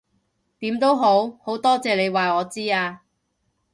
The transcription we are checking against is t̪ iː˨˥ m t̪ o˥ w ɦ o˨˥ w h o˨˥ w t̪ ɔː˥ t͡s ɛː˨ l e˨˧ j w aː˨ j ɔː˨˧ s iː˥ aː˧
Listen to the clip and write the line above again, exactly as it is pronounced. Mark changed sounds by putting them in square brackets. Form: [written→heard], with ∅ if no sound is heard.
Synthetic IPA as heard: t̪ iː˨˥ m t̪ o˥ w ɦ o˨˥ w h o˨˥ w t̪ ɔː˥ t͡s ɛː˨ l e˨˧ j w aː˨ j ɔː˨˧ [s→t͡s] iː˥ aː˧